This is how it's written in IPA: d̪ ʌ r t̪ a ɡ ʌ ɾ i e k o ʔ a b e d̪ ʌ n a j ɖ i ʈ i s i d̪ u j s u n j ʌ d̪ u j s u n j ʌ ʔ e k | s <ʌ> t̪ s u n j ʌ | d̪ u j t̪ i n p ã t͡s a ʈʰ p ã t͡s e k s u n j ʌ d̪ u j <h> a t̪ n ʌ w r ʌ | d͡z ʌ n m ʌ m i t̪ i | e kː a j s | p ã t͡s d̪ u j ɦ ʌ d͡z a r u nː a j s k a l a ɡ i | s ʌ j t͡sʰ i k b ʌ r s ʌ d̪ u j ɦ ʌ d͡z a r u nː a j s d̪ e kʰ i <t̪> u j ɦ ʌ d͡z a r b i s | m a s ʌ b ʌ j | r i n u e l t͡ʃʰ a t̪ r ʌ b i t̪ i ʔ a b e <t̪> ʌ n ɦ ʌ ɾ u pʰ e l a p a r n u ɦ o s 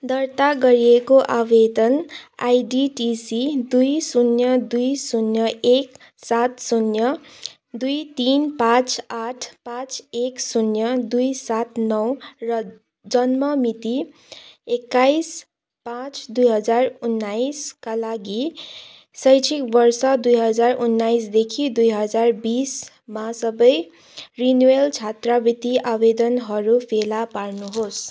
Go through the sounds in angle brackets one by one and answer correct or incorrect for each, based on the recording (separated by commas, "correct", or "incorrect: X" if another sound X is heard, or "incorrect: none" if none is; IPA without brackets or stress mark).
incorrect: a, incorrect: s, incorrect: d̪, incorrect: d̪